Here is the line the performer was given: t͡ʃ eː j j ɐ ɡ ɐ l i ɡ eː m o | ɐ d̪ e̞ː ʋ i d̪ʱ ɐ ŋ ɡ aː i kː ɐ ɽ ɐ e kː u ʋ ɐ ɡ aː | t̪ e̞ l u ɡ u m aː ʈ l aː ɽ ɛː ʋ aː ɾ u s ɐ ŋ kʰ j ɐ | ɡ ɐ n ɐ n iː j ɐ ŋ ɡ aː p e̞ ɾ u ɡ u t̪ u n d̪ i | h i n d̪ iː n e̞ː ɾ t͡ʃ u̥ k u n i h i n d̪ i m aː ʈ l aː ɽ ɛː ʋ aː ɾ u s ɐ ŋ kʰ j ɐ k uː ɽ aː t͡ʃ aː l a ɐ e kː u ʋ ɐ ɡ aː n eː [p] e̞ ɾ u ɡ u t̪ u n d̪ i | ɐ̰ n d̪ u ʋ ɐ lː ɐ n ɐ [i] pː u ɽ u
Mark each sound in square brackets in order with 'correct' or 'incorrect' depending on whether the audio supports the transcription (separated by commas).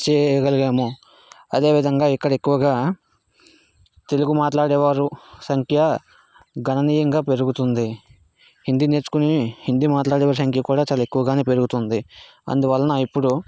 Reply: correct, correct